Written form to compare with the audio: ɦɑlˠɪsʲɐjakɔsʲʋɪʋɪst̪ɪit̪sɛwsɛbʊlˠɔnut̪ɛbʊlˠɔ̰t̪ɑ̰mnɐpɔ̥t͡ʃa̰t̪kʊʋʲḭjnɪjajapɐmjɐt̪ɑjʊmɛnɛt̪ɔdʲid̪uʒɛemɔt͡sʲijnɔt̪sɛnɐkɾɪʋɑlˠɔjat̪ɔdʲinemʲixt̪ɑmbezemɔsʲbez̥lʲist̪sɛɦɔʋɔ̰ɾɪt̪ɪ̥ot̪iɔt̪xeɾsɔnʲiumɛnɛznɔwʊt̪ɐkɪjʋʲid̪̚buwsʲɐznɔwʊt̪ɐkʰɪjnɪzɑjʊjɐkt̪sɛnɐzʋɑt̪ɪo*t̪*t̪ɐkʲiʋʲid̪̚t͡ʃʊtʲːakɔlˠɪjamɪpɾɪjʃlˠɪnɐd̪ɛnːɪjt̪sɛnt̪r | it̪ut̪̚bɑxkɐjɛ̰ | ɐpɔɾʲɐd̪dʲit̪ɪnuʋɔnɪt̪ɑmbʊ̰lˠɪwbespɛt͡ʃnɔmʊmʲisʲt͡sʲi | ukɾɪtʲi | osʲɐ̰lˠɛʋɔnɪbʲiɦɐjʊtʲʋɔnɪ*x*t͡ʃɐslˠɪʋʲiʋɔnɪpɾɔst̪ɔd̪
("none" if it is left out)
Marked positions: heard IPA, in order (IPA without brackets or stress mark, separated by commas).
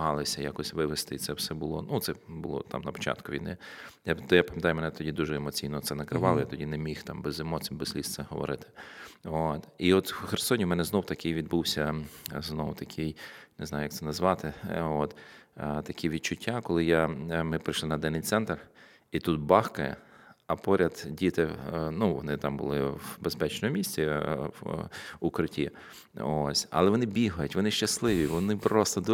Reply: t̪, ʃ